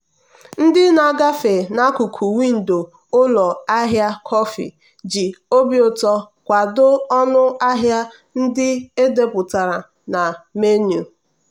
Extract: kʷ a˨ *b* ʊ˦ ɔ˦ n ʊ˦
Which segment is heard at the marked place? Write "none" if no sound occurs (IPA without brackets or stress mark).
d